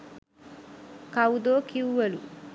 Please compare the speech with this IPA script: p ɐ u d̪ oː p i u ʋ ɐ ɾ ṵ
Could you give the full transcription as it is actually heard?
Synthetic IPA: k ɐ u d̪ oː k i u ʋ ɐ l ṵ